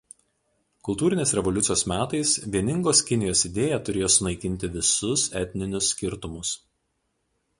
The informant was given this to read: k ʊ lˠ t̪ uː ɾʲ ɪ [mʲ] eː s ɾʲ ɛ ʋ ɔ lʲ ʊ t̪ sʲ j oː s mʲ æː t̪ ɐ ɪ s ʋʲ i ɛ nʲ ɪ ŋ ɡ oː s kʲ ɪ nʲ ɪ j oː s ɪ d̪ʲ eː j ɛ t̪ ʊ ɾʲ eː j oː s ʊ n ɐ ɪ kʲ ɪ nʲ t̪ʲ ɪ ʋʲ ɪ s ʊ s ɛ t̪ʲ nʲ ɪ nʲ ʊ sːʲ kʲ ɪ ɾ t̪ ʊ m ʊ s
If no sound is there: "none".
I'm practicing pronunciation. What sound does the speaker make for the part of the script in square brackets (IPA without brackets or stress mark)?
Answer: nʲ